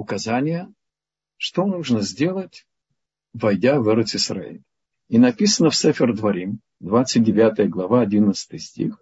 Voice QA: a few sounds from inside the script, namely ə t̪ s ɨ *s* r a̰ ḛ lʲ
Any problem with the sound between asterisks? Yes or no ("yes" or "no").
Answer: no